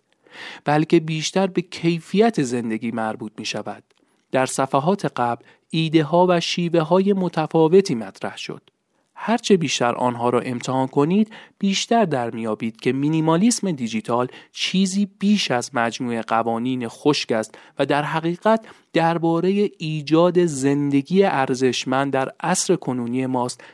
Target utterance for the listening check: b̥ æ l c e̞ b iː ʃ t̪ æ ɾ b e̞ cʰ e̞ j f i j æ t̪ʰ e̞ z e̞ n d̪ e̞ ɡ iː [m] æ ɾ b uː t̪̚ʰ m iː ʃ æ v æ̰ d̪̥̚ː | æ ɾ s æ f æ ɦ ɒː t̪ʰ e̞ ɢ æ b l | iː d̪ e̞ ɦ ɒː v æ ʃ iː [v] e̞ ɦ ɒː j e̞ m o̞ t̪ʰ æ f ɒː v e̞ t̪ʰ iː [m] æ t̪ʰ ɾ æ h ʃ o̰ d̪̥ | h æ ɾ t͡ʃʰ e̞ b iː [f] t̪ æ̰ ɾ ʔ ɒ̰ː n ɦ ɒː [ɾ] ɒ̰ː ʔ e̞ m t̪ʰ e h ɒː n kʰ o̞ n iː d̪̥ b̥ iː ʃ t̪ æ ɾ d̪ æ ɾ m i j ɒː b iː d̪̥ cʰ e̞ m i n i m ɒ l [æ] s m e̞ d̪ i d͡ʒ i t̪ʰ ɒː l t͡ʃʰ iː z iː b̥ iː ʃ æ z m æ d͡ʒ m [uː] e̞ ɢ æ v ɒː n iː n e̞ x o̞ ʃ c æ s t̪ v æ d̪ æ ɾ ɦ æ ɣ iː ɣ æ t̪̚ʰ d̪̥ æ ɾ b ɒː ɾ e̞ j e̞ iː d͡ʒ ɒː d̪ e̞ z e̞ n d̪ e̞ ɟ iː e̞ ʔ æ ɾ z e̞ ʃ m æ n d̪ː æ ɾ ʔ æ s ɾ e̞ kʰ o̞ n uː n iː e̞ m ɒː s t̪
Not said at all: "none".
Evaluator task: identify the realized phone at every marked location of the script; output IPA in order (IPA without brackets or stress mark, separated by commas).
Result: m, v, m, ʃ, ɾ, i, uː